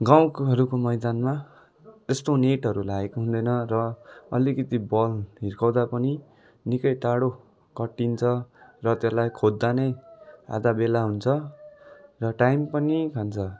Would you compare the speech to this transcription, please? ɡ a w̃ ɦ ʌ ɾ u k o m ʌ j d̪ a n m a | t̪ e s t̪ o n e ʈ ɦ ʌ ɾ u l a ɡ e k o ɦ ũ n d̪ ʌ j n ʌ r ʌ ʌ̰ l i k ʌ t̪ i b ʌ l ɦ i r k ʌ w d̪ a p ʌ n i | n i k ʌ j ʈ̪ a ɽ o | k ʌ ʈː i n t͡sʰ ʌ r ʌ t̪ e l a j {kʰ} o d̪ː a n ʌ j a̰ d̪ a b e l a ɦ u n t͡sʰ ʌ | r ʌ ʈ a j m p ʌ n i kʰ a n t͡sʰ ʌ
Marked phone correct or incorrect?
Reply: correct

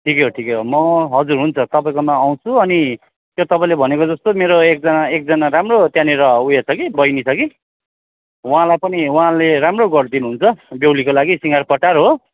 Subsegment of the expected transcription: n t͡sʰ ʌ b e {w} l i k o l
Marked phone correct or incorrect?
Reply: correct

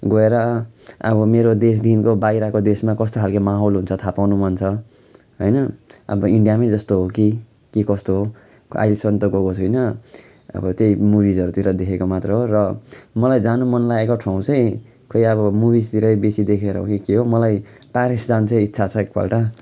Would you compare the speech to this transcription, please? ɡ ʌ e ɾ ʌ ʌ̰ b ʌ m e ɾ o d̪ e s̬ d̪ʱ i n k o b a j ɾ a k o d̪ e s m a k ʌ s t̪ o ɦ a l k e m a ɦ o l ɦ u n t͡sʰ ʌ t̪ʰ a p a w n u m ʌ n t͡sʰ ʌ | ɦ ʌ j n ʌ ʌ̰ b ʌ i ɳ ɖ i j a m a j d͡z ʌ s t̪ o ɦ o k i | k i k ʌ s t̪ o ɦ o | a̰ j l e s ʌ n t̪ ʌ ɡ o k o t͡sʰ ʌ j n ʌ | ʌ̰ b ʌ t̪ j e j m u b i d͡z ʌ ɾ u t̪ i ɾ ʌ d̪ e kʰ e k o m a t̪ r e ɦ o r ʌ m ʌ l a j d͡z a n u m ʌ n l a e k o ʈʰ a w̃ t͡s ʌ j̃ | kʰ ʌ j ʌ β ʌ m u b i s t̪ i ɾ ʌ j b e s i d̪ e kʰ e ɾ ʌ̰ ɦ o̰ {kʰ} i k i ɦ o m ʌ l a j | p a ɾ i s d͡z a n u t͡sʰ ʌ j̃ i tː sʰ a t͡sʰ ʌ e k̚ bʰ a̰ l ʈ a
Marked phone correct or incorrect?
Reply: incorrect: k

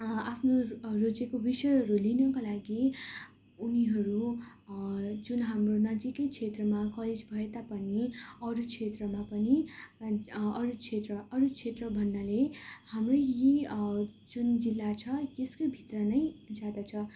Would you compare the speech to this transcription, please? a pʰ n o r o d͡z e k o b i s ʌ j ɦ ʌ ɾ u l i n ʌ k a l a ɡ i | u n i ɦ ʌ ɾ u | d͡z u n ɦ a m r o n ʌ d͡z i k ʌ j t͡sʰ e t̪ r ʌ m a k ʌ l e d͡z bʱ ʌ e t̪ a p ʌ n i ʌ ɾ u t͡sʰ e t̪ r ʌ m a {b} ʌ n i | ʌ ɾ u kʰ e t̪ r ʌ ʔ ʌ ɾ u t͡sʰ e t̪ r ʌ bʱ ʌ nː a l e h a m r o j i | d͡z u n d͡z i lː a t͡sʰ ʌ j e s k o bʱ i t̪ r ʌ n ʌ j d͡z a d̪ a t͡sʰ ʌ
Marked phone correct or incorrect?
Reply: incorrect: p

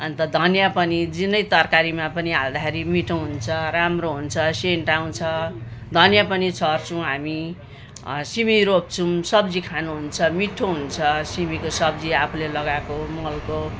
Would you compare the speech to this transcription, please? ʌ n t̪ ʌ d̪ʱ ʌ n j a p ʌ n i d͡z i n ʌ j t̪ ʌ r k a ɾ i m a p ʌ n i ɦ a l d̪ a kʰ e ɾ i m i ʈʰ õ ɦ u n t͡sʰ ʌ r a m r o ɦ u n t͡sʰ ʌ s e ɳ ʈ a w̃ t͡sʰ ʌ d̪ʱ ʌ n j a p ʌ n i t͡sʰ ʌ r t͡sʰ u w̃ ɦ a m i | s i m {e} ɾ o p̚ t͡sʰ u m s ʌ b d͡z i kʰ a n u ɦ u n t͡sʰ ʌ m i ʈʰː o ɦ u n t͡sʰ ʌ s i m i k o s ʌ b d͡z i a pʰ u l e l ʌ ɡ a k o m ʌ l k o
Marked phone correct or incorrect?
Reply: incorrect: i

